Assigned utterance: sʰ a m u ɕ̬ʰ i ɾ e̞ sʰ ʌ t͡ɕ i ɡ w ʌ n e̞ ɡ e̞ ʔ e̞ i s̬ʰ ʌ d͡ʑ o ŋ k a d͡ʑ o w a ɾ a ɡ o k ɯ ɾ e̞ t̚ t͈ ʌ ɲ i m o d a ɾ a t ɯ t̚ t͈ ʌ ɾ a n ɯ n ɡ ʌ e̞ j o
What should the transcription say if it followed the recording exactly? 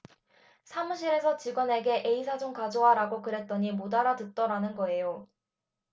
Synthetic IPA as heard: sʰ a m u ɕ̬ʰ i ɾ e̞ sʰ ʌ t͡ɕ i ɡ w ʌ n e̞ ɡ e̞ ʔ e̞ i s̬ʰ a d͡ʑ o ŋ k a d͡ʑ o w a ɾ a ɡ o k ɯ ɾ e̞ t̚ t͈ ʌ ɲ i m o d a ɾ a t ɯ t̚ t͈ ʌ ɾ a n ɯ n ɡ ʌ e̞ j o